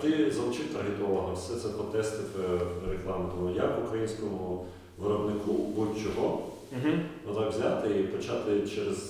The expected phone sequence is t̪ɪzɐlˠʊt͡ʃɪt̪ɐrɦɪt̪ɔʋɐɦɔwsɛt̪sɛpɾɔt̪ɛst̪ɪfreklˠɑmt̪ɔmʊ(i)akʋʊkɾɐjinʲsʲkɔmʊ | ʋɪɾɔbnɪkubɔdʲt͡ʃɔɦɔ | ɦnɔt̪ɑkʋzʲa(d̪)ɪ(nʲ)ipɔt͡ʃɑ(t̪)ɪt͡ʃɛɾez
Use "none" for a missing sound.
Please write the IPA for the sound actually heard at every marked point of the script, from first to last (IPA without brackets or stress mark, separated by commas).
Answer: j, t̪, none, t̪